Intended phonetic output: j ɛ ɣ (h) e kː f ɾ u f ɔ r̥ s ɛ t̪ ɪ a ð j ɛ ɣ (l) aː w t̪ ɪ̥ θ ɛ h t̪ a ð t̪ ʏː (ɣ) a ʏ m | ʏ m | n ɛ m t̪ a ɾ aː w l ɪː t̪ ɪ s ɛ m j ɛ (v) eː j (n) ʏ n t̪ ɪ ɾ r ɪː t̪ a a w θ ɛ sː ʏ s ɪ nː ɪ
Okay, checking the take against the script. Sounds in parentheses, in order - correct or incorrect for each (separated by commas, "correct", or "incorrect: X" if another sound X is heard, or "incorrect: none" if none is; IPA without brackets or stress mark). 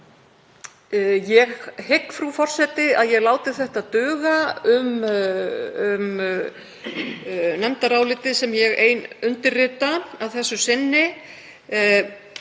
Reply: correct, correct, correct, incorrect: ɣ, correct